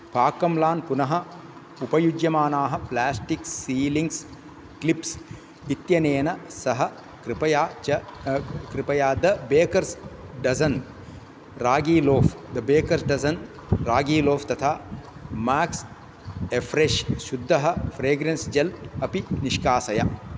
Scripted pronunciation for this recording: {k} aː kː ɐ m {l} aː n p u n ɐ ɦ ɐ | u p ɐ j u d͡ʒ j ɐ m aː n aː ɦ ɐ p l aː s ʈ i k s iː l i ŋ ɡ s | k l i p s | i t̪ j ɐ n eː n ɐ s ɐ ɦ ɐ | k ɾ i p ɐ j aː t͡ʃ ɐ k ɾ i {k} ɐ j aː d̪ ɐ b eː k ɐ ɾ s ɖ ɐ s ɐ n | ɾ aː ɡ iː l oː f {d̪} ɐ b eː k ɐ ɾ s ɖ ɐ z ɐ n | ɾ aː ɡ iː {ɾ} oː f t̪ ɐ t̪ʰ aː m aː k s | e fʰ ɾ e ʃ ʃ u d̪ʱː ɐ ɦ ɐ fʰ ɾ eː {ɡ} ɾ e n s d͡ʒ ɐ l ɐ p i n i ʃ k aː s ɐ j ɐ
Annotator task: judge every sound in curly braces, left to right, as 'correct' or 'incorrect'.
incorrect: p, correct, incorrect: p, correct, incorrect: l, correct

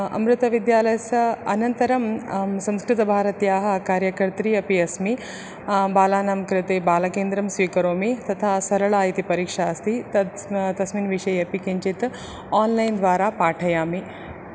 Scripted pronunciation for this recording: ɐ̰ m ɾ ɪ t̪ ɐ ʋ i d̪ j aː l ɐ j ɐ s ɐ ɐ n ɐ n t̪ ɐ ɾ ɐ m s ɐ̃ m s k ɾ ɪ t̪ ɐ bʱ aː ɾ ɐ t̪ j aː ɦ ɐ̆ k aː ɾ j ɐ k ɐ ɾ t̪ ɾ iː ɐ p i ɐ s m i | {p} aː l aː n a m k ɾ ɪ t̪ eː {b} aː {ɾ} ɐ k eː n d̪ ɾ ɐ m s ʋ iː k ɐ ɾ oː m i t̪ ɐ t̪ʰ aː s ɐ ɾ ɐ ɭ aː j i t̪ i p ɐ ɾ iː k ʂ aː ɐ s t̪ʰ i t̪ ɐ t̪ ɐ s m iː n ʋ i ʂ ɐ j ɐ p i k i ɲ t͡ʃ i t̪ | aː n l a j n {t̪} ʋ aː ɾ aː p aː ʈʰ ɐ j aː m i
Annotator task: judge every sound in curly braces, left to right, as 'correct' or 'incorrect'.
incorrect: b, correct, incorrect: l, incorrect: d̪

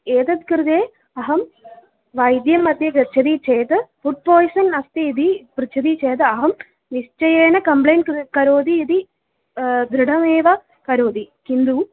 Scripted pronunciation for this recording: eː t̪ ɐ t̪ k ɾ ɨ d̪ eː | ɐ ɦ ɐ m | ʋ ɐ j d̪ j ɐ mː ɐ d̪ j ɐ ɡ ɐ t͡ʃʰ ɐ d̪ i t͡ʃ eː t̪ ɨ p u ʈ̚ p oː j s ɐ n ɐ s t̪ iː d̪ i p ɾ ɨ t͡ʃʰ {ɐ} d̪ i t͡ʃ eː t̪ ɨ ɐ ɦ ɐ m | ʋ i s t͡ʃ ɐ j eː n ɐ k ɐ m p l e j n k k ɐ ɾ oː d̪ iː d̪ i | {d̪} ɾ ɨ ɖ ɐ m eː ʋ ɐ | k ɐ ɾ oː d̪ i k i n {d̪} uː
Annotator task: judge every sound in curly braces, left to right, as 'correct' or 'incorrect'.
correct, correct, correct

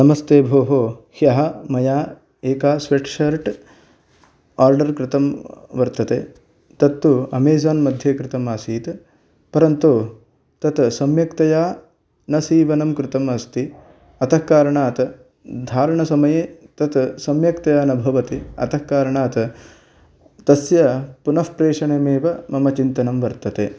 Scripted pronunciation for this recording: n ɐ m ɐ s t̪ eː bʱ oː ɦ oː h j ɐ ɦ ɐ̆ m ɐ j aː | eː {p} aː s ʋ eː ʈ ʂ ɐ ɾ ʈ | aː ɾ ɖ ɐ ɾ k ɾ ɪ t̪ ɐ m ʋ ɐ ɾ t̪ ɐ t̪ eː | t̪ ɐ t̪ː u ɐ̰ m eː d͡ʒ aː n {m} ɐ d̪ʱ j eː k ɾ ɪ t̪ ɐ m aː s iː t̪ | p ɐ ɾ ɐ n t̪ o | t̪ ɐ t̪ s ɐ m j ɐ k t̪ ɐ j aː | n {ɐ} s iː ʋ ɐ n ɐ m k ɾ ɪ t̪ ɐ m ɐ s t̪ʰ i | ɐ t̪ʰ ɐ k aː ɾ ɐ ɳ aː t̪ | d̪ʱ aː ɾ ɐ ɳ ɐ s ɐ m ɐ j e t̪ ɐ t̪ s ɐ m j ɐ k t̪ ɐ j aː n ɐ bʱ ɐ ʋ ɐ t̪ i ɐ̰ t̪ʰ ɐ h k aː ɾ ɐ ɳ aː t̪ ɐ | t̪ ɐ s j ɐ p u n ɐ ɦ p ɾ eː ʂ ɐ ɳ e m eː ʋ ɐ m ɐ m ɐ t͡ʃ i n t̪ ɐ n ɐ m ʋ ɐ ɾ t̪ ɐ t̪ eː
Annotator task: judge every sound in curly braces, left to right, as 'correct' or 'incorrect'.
incorrect: k, correct, correct

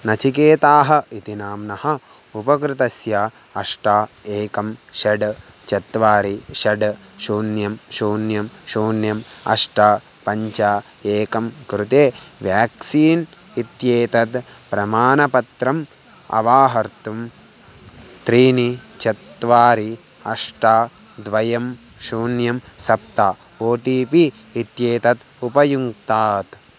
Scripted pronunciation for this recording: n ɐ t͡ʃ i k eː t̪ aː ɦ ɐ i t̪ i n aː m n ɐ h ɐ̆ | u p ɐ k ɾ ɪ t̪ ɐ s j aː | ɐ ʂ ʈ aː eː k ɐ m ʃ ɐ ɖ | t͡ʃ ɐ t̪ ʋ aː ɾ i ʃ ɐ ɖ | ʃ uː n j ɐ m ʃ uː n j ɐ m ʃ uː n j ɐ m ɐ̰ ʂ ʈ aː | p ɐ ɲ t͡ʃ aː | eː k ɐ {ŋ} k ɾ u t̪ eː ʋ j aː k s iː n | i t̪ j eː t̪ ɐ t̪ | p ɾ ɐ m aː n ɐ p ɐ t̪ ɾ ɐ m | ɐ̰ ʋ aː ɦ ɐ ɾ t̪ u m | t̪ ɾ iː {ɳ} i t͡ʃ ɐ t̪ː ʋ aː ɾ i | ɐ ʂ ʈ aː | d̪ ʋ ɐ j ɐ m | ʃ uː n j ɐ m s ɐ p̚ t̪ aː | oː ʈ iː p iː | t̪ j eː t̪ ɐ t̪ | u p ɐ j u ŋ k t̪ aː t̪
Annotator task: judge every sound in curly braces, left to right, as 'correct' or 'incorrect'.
incorrect: m, incorrect: n

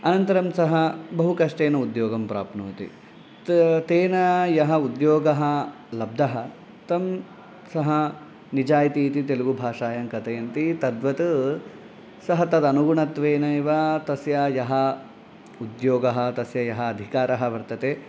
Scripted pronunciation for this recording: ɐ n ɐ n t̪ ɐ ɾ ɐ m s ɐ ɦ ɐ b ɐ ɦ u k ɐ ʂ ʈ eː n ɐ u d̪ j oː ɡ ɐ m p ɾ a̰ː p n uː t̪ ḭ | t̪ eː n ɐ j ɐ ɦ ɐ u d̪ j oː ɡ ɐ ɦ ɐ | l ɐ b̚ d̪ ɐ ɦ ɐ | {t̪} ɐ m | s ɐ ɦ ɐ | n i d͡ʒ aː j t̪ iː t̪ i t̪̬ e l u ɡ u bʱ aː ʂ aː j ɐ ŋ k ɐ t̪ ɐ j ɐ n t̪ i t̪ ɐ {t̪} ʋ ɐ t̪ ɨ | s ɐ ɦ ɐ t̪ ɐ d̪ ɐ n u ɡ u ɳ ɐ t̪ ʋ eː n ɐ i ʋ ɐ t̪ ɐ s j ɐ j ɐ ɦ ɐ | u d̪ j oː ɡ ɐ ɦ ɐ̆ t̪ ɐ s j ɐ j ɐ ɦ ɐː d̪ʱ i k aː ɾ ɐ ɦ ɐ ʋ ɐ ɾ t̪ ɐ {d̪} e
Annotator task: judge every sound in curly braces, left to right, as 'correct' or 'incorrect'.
correct, incorrect: d̪, incorrect: t̪

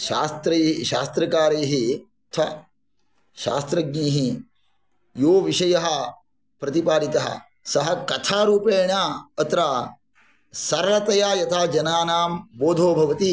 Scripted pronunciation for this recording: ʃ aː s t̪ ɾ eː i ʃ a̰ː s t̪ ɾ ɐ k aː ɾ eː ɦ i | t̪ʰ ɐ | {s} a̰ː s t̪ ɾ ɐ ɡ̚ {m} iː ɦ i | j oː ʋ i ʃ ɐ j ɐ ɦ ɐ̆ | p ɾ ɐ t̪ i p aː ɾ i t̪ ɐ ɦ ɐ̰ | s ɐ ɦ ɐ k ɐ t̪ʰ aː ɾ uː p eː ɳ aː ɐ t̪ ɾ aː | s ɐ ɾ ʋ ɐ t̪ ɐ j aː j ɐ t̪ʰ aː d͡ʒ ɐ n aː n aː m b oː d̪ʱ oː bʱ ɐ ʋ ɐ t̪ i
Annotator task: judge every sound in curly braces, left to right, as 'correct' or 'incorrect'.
incorrect: ʃ, incorrect: n

